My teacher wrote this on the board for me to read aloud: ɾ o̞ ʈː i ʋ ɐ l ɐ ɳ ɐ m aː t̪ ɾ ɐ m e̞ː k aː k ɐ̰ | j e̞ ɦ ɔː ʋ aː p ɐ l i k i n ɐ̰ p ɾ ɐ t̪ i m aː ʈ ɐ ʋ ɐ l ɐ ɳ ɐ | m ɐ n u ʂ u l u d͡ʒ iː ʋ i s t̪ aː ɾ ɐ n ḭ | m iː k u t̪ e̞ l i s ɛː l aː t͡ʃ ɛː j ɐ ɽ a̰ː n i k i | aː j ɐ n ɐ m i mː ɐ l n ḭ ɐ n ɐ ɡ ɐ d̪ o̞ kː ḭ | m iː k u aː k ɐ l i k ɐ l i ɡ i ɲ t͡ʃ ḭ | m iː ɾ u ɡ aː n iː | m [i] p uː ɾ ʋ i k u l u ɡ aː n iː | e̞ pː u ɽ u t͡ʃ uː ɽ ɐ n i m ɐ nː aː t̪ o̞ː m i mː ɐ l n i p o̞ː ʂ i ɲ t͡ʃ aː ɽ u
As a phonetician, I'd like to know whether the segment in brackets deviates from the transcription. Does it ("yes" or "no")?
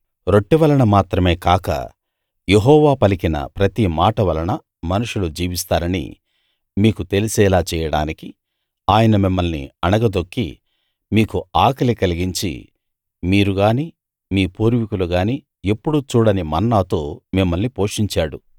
yes